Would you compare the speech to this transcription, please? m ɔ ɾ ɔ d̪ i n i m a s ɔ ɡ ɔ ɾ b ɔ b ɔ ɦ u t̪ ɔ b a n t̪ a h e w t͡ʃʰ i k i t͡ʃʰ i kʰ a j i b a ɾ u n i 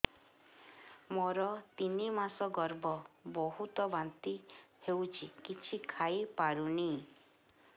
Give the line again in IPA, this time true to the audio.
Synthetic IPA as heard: m ɔ ɾ ɔ t̪ i n i m a s ɔ ɡ ɔ ɾ b ɔ b ɔ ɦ u t̪ ɔ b a n t̪ i h e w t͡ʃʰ i k i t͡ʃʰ i kʰ a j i p a ɾ u n i